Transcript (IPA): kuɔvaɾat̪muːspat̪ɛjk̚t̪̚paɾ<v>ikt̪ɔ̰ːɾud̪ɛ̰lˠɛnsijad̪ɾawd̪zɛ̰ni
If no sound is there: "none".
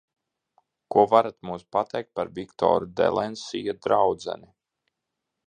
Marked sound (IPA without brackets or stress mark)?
v